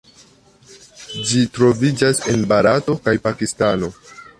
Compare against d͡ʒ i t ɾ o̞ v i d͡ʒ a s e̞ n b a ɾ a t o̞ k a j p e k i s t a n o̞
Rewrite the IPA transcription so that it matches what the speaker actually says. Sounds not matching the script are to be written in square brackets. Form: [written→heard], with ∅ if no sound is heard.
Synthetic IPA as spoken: d͡ʒ i t ɾ o̞ v i d͡ʒ a s e̞ n b a ɾ a t o̞ k a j p [e→a] k i s t a n o̞